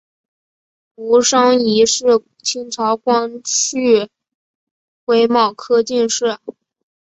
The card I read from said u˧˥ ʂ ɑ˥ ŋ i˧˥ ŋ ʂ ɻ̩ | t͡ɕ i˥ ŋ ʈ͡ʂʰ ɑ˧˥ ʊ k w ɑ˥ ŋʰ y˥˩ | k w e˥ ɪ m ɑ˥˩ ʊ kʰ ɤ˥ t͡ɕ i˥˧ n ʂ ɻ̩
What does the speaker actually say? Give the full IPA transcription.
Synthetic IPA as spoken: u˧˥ ʂ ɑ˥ ŋ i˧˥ ʂ ɻ̩ | t͡ɕʰ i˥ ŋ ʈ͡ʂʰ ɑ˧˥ ʊ k w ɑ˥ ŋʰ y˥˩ | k w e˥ ɪ m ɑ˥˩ ʊ kʰ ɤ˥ t͡ɕ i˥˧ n ʂ ɻ̩